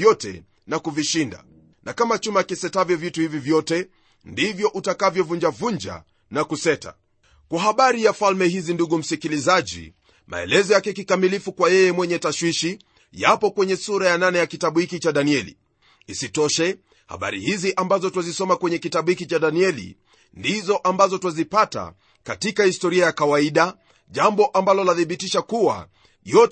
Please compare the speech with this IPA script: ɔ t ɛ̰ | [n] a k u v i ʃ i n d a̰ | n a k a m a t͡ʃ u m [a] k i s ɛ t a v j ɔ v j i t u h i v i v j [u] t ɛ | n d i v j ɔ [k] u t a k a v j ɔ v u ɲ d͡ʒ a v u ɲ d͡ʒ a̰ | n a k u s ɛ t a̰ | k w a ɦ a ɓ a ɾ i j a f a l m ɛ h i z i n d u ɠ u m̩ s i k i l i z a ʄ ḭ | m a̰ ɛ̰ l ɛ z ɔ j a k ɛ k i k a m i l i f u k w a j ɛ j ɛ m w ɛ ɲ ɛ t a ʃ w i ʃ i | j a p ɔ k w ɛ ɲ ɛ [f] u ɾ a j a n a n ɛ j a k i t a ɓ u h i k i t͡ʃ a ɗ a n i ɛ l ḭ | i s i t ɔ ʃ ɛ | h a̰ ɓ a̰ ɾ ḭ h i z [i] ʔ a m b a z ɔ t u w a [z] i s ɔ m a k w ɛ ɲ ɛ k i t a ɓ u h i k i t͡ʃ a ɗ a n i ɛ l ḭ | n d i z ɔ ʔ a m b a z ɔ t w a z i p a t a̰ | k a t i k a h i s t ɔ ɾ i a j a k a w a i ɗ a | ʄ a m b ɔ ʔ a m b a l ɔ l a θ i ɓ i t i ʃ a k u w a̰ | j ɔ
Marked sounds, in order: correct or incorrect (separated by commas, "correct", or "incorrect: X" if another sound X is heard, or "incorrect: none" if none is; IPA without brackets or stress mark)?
correct, correct, incorrect: ɔ, incorrect: ʔ, incorrect: s, correct, correct